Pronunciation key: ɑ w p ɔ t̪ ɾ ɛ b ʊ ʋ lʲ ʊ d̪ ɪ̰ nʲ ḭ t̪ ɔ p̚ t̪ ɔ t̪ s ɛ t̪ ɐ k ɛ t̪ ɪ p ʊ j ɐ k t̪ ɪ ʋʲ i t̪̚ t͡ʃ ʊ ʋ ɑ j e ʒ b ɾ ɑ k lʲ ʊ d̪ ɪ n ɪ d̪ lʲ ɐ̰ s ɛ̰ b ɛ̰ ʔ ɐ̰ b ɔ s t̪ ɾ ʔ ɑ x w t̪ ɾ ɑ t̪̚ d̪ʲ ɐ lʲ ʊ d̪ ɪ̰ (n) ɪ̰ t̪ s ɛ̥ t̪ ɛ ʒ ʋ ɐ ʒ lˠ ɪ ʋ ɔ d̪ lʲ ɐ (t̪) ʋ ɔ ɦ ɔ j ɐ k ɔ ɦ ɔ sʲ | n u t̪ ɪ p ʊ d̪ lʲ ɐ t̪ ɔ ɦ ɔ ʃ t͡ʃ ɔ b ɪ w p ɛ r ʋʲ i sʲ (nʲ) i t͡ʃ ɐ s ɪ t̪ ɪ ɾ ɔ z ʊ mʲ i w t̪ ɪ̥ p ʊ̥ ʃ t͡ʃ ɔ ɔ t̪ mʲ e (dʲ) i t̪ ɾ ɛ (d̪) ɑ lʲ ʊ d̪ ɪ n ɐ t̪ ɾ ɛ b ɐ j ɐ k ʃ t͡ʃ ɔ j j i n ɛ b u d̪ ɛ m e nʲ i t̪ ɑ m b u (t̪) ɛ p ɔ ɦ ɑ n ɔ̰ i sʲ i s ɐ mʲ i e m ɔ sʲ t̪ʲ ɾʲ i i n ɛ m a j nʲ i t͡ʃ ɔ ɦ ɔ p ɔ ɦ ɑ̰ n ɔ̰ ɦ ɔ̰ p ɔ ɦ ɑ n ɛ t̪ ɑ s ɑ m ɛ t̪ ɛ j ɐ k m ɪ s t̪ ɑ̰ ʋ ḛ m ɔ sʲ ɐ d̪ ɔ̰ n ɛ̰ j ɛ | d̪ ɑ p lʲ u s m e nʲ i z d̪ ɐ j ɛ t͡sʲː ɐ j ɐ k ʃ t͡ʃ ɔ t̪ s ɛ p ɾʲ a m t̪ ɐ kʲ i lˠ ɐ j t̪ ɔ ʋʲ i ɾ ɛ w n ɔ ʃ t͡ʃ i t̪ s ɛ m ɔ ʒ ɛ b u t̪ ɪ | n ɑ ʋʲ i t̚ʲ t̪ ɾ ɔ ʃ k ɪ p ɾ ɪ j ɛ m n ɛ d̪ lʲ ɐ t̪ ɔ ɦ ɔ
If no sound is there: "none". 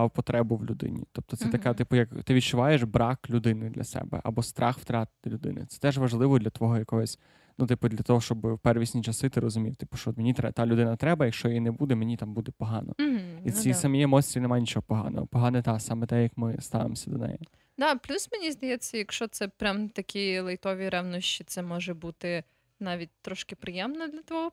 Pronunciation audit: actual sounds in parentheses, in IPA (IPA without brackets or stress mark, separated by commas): n, t̪, nʲ, nʲ, t̪, d̪